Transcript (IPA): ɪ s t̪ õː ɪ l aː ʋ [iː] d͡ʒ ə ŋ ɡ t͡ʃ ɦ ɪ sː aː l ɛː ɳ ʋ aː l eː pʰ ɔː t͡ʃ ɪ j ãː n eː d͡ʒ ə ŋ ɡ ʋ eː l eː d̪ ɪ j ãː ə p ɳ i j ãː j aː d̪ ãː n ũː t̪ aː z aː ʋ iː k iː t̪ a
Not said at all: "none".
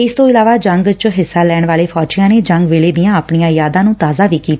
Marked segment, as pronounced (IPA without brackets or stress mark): aː